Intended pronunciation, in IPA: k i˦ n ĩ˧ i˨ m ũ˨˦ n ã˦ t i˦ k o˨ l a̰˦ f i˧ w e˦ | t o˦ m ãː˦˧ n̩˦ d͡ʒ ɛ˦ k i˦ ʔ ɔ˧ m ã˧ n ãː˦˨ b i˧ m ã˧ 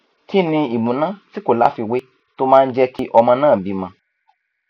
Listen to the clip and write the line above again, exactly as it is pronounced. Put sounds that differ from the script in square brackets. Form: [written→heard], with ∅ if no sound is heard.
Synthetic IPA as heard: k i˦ n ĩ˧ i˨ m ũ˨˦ n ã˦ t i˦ k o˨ l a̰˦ f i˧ w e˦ | t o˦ m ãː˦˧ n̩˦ d͡ʒ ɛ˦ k i˦ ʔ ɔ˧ m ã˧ n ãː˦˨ b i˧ m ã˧